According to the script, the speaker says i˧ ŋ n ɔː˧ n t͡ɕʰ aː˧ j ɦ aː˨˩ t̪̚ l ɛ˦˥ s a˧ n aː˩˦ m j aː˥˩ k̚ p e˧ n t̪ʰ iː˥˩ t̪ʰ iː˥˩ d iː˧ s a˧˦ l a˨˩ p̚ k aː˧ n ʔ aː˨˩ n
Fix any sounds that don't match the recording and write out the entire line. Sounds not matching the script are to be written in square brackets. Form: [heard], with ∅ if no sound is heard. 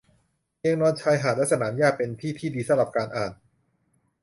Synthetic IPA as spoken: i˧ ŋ n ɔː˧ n t͡ɕʰ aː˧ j ɦ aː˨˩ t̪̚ l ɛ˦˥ s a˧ n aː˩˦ m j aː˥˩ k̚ p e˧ n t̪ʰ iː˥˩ t̪ʰ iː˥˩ d iː˧ s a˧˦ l a˨˩ p̚ k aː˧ n ʔ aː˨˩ n